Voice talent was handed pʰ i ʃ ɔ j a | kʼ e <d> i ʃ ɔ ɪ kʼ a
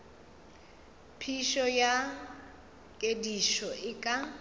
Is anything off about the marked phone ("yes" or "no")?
no